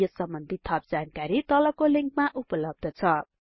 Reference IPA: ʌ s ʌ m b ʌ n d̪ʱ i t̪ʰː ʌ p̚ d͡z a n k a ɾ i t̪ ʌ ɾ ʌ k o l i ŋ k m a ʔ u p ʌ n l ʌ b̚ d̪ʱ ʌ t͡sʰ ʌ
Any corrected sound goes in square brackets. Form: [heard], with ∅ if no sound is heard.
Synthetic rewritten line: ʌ s ʌ m b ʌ n d̪ʱ i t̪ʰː ʌ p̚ d͡z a n k a ɾ i t̪ ʌ [l] ʌ k o l i ŋ k m a ʔ u p ʌ [∅] l ʌ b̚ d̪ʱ ʌ t͡sʰ ʌ